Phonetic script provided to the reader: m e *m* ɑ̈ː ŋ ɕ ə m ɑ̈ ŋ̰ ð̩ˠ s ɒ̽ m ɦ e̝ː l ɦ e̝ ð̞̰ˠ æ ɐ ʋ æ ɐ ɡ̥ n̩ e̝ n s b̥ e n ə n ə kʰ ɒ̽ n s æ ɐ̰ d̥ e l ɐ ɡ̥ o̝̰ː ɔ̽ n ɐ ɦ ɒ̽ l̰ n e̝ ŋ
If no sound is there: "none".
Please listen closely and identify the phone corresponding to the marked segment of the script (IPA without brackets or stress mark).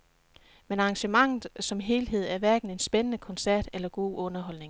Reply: n